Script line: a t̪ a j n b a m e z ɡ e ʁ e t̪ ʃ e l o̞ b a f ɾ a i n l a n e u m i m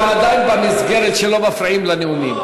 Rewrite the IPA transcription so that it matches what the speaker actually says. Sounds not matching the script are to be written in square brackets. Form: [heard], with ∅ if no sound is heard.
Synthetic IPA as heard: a [d̪] a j n b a m [i] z ɡ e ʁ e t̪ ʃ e l o̞ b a f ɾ a i [m] l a n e u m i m